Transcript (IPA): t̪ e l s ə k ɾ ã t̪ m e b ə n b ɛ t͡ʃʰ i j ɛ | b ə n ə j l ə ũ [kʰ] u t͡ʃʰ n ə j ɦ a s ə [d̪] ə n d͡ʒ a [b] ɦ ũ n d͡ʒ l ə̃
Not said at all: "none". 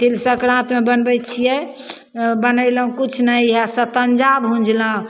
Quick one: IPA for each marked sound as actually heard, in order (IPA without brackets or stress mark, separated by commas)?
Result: k, t̪, b